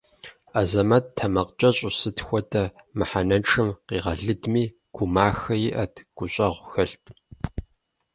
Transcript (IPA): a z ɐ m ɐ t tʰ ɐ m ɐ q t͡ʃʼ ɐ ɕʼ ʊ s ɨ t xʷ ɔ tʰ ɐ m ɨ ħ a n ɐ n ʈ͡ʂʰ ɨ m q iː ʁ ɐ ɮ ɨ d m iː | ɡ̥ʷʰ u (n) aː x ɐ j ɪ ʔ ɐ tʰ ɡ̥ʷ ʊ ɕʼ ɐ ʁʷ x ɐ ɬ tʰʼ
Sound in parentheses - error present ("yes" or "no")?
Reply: yes